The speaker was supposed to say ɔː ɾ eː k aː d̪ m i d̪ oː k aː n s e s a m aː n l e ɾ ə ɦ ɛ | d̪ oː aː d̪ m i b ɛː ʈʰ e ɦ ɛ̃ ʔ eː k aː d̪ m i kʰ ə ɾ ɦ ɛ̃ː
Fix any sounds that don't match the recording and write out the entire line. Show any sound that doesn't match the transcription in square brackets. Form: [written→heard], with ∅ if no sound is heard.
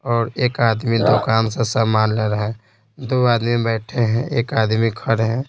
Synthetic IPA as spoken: ɔː ɾ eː k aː d̪ m i d̪ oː k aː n s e s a m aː n l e ɾ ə ɦ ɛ | d̪ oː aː d̪ m i b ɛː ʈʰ e ɦ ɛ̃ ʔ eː k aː d̪ m i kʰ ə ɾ ɦ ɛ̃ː

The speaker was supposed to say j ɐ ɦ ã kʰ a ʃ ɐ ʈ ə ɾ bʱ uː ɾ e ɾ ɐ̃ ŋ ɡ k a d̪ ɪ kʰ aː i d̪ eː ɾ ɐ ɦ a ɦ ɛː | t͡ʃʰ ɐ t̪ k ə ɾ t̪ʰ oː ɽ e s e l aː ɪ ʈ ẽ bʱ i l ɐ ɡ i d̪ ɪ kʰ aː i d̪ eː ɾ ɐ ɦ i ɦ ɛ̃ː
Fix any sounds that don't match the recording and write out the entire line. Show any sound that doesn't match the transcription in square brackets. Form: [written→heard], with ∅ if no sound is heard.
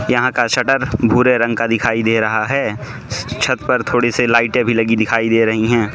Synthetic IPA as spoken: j ɐ ɦ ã [kʰ→k] a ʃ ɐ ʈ ə ɾ bʱ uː ɾ e ɾ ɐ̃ ŋ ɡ k a d̪ ɪ kʰ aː i d̪ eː ɾ ɐ ɦ a ɦ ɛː | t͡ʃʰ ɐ t̪ [k→p] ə ɾ t̪ʰ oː ɽ e s e l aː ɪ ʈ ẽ bʱ i l ɐ ɡ i d̪ ɪ kʰ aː i d̪ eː ɾ ɐ ɦ i ɦ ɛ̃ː

